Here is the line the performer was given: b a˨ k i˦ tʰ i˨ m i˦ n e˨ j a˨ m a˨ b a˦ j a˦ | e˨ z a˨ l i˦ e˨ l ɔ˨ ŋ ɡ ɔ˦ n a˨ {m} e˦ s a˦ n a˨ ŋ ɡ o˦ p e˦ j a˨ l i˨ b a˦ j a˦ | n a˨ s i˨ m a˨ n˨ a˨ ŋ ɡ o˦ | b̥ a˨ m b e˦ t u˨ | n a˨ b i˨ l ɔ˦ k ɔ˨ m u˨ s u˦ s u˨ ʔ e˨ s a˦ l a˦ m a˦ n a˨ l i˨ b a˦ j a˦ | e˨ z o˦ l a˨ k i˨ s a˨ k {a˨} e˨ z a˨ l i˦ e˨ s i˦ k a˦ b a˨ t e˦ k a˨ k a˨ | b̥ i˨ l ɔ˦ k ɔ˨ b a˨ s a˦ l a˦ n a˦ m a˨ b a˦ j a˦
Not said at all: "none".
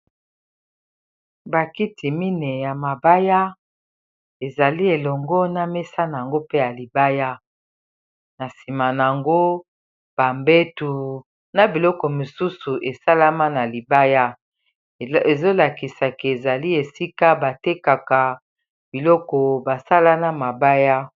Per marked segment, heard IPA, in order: m, e˨

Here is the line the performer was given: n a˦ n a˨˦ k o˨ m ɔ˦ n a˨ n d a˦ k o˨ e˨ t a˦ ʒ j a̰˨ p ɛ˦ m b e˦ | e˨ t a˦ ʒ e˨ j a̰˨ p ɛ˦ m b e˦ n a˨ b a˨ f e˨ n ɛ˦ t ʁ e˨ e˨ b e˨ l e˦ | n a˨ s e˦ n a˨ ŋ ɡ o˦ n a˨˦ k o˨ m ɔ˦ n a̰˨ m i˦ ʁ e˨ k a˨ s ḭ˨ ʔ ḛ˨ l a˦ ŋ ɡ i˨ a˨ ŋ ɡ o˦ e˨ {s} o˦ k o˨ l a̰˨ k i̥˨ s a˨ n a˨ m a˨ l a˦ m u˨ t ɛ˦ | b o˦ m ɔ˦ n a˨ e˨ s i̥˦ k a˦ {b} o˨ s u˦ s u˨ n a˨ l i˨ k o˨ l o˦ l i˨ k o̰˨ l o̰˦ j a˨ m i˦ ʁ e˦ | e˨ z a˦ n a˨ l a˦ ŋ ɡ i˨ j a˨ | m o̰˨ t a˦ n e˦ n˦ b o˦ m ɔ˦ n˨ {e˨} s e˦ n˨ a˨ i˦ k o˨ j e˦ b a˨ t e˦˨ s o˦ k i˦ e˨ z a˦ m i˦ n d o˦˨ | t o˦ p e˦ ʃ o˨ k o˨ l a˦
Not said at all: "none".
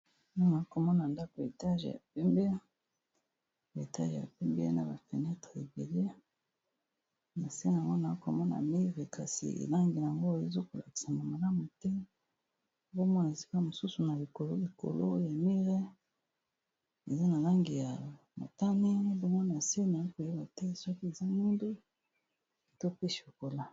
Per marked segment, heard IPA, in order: z, m, a˨

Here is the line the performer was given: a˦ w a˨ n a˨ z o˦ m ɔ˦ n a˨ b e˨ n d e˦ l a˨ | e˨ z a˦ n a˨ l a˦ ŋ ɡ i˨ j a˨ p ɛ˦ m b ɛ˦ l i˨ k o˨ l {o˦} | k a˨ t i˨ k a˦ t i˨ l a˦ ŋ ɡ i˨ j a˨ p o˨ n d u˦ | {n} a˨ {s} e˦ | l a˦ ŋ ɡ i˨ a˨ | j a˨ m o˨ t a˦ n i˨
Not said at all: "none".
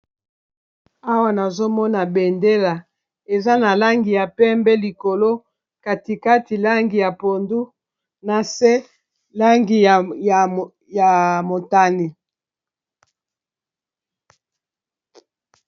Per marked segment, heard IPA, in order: o˦, n, s

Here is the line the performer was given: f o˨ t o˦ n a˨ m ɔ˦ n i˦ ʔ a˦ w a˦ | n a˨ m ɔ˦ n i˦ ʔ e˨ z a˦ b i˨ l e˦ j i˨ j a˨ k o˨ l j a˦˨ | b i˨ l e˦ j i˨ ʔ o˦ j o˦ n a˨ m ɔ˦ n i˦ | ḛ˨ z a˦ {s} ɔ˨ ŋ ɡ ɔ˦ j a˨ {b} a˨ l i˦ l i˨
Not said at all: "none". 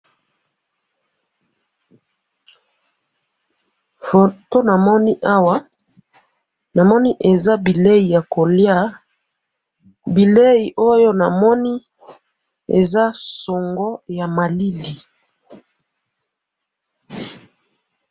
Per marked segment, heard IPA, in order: s, m

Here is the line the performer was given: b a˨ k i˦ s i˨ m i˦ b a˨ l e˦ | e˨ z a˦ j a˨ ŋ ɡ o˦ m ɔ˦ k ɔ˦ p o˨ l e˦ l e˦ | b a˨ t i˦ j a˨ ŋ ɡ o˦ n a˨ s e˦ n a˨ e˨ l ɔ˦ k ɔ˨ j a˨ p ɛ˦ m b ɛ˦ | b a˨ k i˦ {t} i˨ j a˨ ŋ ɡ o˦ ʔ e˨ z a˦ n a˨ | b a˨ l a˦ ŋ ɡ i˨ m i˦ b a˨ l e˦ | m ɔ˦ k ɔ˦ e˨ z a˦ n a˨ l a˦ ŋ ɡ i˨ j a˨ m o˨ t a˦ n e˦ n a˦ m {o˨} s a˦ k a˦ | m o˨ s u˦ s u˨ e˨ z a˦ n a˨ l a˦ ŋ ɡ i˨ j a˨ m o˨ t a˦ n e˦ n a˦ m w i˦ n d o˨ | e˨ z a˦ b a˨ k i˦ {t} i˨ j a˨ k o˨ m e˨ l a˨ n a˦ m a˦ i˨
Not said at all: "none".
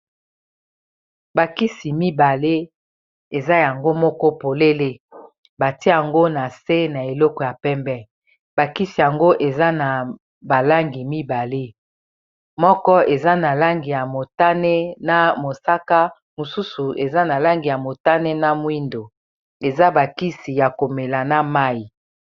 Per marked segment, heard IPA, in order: s, o˨, s

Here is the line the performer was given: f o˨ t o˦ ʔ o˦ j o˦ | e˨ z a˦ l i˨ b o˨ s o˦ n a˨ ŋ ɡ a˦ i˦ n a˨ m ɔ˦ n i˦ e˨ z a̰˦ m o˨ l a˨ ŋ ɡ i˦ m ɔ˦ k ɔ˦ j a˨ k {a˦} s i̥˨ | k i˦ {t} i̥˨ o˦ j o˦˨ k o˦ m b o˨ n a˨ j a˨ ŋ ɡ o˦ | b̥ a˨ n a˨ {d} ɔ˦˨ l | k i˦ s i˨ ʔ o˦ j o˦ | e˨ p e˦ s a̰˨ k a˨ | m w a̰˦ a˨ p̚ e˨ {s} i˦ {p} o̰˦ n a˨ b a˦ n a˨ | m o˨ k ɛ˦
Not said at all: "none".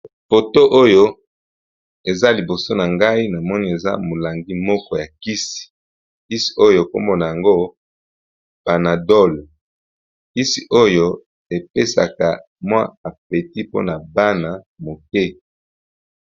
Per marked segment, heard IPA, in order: i˦, s, d, t, p

